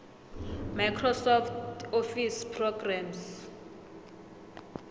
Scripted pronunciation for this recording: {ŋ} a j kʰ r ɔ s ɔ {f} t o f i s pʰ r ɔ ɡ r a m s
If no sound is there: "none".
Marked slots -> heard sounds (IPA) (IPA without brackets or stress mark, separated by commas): m, f